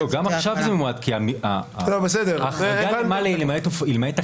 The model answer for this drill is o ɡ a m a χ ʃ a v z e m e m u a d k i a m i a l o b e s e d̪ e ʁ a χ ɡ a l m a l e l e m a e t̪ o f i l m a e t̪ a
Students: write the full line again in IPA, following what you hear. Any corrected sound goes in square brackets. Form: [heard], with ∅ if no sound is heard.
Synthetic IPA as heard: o ɡ a m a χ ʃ a v z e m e m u a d k i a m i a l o b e s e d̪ e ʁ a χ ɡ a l m a l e l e m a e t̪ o f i l m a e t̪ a